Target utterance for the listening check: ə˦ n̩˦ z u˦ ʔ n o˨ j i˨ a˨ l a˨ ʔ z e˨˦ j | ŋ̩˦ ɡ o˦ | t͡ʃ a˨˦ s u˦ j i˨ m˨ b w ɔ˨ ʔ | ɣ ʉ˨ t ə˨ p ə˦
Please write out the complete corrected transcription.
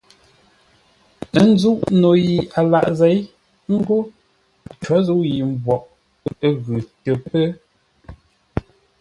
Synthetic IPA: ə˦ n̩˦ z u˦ ʔ n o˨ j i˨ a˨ l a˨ ʔ z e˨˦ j | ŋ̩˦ ɡ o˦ | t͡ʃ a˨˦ z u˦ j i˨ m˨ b w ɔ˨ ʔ | ɣ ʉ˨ t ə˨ p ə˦